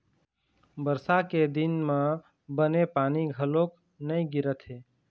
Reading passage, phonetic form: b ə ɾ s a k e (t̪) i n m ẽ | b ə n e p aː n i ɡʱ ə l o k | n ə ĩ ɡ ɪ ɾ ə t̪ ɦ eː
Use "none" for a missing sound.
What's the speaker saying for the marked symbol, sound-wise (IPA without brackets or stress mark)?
d̪